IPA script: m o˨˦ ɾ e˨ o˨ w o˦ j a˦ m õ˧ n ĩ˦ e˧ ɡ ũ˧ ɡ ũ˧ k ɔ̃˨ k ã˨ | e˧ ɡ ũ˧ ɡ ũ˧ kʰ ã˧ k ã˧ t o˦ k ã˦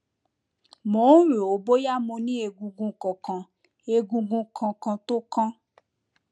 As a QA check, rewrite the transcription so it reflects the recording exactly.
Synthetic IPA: m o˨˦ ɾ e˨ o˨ b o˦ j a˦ m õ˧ n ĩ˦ e˧ ɡ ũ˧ ɡ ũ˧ k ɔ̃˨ k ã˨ | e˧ ɡ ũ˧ ɡ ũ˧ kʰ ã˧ k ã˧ t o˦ k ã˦